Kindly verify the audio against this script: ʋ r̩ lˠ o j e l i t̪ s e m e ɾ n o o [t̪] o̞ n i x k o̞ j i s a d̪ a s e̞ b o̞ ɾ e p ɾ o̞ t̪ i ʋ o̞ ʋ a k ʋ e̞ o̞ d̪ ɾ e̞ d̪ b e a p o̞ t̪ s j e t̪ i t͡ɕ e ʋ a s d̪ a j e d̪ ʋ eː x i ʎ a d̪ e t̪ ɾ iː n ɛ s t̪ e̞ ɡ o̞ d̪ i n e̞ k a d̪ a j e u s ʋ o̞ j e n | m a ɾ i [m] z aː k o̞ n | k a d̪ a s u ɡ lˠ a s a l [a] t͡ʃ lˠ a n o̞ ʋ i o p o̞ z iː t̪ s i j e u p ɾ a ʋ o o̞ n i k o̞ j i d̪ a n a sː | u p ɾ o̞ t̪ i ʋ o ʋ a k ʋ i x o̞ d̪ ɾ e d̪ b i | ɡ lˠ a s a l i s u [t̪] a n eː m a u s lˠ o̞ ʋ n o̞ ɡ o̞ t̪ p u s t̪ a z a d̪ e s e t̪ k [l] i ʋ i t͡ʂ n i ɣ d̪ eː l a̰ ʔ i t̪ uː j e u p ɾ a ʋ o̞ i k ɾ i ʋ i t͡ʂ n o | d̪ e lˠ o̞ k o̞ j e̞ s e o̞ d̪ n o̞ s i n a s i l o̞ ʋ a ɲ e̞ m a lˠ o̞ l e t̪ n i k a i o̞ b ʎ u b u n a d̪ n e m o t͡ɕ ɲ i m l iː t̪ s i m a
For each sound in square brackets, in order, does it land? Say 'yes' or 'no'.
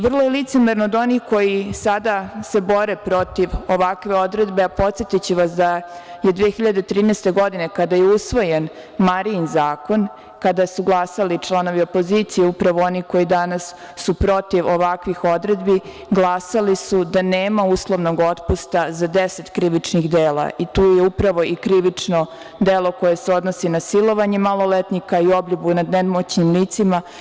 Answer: no, no, no, no, no

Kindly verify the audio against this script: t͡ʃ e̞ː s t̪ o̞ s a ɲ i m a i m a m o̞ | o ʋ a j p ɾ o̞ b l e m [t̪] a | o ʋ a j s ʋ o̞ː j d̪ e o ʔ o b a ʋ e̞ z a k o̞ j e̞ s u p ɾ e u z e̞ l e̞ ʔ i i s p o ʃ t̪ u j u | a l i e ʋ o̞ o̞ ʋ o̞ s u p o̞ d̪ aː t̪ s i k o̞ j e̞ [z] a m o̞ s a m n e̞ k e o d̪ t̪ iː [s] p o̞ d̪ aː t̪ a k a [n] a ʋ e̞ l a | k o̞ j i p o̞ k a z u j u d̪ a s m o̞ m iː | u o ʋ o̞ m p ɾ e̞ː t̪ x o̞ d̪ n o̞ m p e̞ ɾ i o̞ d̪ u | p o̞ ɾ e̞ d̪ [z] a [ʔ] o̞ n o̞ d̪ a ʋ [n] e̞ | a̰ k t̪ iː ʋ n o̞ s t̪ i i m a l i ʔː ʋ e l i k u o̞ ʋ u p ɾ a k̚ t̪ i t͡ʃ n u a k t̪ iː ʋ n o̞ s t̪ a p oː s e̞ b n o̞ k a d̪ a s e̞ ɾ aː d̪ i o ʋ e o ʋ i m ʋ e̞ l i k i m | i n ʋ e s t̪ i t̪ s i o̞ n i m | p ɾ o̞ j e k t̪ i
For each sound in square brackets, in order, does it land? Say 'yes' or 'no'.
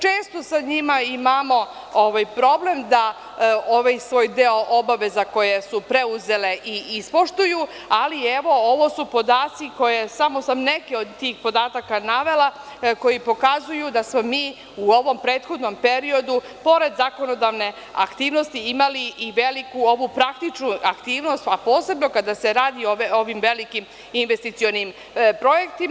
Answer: no, no, no, yes, yes, no, yes

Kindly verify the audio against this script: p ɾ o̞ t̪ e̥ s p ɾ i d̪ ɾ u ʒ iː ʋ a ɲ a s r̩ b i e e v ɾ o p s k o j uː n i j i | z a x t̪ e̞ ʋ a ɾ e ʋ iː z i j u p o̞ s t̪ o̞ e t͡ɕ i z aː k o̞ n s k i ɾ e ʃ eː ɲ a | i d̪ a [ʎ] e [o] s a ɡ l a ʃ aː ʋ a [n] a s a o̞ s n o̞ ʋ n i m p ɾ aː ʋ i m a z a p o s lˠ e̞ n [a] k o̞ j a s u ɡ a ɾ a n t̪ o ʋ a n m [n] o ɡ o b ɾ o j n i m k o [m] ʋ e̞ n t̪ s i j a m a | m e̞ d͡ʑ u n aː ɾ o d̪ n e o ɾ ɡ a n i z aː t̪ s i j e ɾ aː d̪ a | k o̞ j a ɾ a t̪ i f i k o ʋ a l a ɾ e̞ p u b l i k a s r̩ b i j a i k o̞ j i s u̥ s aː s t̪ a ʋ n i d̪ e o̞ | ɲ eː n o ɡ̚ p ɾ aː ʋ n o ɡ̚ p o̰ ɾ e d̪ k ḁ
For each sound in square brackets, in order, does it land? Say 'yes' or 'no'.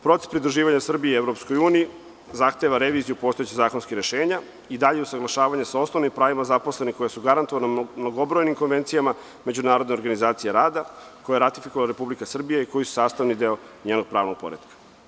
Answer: yes, no, no, no, yes, no

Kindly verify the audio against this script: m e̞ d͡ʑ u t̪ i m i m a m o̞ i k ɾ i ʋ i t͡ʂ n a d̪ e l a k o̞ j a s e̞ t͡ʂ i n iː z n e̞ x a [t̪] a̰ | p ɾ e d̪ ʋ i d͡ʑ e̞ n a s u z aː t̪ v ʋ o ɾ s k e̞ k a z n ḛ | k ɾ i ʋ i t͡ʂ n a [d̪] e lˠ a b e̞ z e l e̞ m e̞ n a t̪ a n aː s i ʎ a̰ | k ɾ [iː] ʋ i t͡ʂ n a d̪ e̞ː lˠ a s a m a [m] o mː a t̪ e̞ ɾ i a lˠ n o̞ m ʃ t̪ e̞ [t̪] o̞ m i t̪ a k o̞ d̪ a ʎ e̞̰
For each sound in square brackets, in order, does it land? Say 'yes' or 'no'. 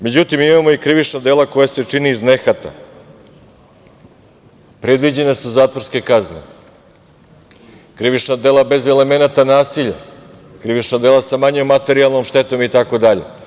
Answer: yes, yes, no, no, yes

